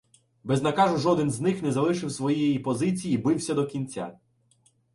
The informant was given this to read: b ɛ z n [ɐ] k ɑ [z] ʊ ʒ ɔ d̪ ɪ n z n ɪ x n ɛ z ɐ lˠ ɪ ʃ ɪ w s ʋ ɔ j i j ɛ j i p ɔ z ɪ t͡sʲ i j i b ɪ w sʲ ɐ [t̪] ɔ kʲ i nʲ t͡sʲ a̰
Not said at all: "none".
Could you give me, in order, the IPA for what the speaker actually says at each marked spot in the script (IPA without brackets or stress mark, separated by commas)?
ɐ, ʒ, d̪